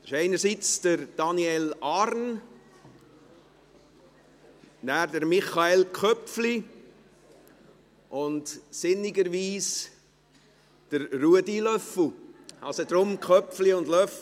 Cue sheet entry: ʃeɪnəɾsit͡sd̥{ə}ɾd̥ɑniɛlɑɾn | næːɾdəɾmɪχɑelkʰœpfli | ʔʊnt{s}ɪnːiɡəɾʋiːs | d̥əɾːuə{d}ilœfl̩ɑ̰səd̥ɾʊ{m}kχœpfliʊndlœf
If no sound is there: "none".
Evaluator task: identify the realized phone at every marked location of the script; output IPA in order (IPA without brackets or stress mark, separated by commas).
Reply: ə, s, d, m